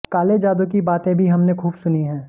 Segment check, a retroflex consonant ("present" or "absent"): absent